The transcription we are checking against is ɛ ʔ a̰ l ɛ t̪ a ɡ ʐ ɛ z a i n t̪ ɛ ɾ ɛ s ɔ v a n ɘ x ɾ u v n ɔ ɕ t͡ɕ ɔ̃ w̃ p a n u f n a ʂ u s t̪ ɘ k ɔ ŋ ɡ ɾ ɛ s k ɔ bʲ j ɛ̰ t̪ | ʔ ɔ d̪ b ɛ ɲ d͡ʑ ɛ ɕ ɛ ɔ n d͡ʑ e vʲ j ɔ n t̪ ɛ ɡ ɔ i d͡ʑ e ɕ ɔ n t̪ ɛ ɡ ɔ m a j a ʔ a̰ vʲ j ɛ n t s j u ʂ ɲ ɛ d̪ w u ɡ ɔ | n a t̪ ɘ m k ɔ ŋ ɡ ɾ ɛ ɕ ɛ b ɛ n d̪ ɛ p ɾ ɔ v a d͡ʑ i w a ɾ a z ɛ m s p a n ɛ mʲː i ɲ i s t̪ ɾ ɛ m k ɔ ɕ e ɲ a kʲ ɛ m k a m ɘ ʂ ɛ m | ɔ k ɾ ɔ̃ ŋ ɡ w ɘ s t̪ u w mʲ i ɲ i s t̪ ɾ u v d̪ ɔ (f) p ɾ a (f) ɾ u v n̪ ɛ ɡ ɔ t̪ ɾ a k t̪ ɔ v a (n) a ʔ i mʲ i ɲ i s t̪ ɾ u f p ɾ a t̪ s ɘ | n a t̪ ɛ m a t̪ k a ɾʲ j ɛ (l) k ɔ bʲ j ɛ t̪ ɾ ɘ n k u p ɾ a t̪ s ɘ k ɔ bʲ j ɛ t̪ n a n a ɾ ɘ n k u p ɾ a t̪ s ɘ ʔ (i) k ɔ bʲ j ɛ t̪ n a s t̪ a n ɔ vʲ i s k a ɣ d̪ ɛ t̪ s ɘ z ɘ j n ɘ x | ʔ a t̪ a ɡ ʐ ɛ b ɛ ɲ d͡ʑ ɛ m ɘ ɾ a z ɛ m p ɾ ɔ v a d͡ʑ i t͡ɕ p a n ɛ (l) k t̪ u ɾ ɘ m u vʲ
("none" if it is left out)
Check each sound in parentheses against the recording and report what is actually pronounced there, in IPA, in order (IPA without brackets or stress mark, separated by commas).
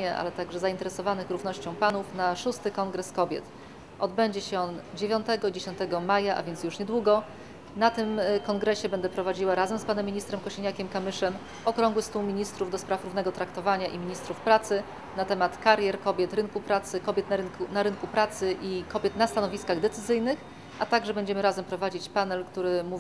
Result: s, f, ɲ, ɾ, i, l